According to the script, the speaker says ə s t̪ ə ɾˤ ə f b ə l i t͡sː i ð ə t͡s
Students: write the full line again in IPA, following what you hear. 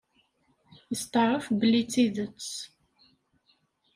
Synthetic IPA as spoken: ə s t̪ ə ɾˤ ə f b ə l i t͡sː i ð ə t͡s